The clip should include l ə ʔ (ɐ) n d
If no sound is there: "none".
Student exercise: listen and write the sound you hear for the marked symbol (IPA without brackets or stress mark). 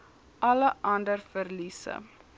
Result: ɐ